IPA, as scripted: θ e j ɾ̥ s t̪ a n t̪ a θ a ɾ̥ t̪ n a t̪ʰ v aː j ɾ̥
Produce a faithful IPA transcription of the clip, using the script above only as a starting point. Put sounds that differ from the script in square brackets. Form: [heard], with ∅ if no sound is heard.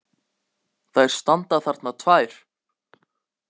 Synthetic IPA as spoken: θ [a] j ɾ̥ s t̪ a n t̪ a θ a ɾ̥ t̪ n a t̪ʰ v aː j ɾ̥